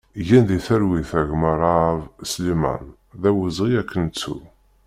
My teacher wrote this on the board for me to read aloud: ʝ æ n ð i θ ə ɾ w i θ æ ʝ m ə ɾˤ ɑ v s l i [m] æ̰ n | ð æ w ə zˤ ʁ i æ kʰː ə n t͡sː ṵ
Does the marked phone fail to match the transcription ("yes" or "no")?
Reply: no